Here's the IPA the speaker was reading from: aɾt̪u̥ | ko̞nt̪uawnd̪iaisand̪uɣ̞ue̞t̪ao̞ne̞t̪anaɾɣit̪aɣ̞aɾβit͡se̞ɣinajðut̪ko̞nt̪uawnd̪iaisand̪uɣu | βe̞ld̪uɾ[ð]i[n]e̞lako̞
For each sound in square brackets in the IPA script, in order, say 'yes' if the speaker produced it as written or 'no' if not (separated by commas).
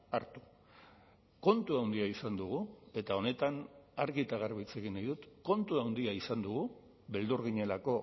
no, no